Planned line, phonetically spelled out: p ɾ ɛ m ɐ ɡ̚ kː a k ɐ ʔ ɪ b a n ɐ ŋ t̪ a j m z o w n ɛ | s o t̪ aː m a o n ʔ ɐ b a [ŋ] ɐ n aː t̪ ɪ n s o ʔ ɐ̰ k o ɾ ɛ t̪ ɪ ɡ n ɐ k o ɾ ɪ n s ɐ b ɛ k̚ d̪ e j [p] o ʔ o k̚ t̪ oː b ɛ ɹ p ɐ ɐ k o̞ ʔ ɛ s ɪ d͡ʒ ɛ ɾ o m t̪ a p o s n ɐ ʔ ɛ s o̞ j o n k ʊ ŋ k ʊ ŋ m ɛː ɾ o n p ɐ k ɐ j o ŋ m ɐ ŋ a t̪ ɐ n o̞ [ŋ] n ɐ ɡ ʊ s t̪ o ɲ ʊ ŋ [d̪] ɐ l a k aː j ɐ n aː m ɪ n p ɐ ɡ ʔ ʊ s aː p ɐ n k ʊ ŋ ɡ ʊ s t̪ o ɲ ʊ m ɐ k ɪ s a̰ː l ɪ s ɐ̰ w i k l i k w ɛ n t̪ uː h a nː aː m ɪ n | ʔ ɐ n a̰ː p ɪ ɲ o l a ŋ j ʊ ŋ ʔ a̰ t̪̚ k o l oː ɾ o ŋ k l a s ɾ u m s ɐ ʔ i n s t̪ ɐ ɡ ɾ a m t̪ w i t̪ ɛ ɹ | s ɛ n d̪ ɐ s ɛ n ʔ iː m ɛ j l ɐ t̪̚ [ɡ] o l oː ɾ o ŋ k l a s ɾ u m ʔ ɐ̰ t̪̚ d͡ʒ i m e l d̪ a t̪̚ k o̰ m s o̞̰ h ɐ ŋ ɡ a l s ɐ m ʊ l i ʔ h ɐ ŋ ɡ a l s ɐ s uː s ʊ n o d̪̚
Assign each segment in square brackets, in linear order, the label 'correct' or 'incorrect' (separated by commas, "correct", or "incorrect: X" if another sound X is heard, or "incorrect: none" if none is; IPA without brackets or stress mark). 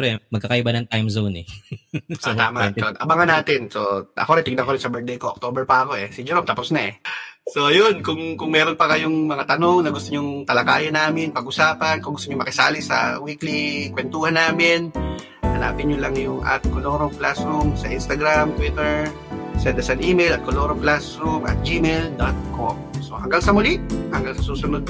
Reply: correct, incorrect: k, correct, incorrect: t̪, incorrect: k